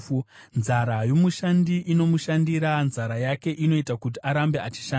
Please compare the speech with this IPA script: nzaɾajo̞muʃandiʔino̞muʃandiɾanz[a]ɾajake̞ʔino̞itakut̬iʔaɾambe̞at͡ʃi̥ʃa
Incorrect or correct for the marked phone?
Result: correct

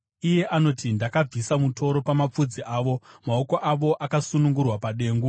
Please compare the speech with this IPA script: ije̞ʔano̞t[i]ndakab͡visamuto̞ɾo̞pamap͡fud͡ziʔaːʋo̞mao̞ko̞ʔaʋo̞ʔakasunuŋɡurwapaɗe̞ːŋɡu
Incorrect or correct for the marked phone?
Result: correct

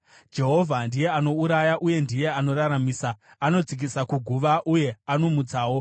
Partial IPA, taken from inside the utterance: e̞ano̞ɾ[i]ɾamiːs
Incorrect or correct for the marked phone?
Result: incorrect: a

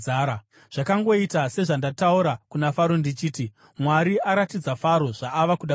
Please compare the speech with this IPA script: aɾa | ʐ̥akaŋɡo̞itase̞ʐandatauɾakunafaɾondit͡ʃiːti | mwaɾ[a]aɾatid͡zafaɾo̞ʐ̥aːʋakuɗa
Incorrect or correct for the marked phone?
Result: incorrect: i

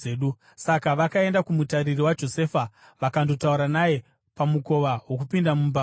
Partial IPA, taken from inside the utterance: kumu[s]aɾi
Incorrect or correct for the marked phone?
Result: incorrect: t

